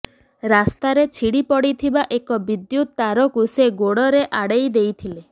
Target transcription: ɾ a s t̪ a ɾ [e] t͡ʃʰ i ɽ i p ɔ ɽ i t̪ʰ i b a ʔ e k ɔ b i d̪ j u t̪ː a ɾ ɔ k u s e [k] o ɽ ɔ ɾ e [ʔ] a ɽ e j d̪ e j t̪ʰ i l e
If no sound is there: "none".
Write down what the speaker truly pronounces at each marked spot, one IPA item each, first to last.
e, ɡ, ʔ

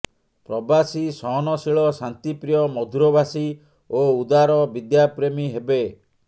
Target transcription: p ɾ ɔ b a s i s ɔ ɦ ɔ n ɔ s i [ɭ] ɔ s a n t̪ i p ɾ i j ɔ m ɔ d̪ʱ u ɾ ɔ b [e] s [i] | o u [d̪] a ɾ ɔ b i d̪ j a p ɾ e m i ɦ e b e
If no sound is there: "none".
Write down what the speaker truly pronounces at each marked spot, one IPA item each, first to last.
ɭ, a, i, d̪

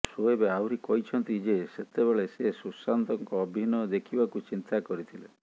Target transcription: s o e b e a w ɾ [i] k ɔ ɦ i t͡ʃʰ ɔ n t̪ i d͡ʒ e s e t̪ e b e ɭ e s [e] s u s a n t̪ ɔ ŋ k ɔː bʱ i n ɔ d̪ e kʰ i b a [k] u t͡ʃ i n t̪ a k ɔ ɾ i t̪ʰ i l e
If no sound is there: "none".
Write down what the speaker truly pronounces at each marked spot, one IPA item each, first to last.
i, e, k

